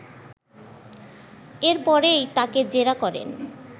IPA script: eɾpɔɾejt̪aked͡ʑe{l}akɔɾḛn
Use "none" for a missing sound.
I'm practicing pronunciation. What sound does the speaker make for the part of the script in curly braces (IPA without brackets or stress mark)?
ɾ